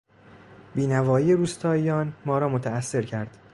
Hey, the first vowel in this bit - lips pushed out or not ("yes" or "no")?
no